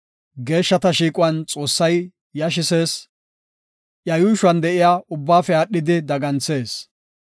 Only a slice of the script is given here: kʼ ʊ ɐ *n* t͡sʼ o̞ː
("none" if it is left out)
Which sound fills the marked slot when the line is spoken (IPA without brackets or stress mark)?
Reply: n